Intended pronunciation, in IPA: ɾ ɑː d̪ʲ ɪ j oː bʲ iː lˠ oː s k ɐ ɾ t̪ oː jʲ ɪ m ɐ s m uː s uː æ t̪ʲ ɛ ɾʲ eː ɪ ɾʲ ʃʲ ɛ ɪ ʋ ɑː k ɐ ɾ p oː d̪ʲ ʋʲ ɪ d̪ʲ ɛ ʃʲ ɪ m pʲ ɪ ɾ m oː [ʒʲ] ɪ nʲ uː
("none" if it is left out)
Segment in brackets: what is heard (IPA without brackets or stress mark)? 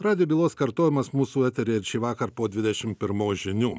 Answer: ʒʲ